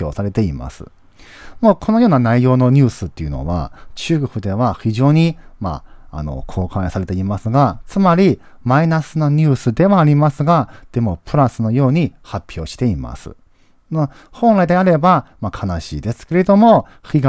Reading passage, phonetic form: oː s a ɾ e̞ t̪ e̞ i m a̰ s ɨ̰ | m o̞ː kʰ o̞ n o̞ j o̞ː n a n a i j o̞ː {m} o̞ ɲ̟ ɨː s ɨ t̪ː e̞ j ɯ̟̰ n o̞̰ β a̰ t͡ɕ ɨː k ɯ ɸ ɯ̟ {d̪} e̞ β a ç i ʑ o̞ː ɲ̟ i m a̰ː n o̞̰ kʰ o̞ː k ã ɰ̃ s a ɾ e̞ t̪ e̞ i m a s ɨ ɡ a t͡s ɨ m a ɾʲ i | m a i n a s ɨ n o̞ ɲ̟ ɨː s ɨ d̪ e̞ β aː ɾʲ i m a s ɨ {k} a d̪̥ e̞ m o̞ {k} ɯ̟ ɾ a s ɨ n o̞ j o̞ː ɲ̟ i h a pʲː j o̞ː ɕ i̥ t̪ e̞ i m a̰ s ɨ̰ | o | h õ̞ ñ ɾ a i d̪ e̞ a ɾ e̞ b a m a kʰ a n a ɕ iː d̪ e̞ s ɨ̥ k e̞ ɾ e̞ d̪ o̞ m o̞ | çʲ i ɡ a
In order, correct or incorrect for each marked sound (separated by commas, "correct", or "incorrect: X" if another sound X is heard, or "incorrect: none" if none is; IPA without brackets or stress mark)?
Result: incorrect: n, correct, incorrect: ɡ, incorrect: p